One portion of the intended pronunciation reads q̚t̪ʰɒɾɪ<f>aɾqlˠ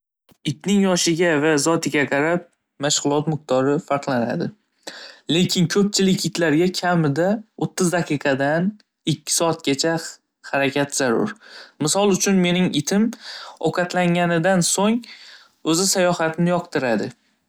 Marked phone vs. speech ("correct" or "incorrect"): correct